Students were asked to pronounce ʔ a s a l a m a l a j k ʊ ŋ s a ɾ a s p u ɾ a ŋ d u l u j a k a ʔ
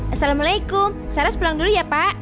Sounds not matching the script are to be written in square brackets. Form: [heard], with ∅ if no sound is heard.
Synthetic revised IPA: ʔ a s a l a m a l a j k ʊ [m] s a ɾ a s p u [l] a ŋ d u l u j a [p] a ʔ

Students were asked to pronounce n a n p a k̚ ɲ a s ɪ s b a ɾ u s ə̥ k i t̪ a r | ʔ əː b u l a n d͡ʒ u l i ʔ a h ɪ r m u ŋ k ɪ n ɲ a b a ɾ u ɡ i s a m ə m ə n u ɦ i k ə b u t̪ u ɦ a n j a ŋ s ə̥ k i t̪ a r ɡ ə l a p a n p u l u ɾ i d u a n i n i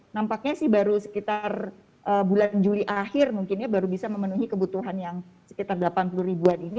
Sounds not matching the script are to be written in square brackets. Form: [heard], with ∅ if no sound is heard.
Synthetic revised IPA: n a [m] p a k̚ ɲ a s ɪ [h] b a ɾ u s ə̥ k i t̪ a r | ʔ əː b u l a n d͡ʒ u l i ʔ a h ɪ r m u ŋ k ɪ n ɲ a b a ɾ u [b] i s a m ə m ə n u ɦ i k ə b u t̪ u ɦ a n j a ŋ s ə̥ k i t̪ a r ɡ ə l a p a n p u l u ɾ i [b] u a n i n i

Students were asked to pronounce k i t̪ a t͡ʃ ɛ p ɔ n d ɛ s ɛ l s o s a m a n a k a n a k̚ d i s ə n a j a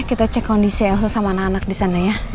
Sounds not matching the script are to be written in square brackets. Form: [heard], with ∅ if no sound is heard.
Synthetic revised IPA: k i t̪ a t͡ʃ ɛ [k] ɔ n d [i] s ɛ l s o s a m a n a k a n a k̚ d i s [a] n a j a

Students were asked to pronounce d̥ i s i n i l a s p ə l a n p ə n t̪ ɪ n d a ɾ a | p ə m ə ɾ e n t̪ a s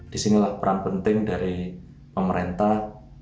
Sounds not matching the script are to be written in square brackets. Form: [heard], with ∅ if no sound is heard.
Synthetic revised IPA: d̥ i s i n i l a [h] p ə [ɾ] a n p ə n t̪ ɪ [ŋ] d a ɾ [i] | p ə m ə ɾ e n t̪ a [h]

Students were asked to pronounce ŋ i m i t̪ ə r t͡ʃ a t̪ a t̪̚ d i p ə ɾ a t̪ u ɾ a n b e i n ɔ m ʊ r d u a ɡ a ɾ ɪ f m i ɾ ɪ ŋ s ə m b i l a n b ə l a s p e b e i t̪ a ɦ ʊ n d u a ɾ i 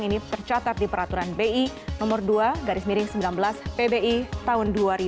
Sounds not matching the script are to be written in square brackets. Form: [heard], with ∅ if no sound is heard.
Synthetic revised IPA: ŋ i [n] i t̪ ə r t͡ʃ a t̪ a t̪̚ d i p ə ɾ a t̪ u ɾ a n b e i n ɔ m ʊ r d u a ɡ a ɾ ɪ [s] m i ɾ ɪ ŋ s ə m b i l a n b ə l a s p e b e i t̪ a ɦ ʊ n d u a ɾ i

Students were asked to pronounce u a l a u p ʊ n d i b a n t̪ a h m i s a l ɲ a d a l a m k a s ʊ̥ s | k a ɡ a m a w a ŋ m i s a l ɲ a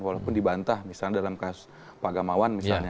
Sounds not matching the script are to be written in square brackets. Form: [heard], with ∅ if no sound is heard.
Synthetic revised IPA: [w] a l a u p ʊ n d i b a n t̪ a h m i s a l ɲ a d a l a m k a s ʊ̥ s | [p] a ɡ a m a w a [n] m i s a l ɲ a

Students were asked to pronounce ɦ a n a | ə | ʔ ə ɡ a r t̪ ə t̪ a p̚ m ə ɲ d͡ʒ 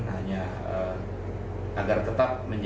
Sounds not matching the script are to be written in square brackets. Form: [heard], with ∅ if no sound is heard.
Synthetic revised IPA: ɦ a [ɲ] a | ə | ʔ [a] ɡ a r t̪ ə t̪ a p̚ m ə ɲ d͡ʒ

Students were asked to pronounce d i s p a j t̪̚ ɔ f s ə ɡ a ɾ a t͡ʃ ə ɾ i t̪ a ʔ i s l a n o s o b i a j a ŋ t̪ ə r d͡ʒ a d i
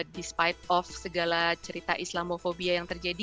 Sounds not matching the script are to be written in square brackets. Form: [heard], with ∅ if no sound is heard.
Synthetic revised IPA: d i s p a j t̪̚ ɔ f s ə ɡ a [l] a t͡ʃ ə ɾ i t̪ a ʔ i s l a [m] o [f] o b i a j a ŋ t̪ ə r d͡ʒ a d i

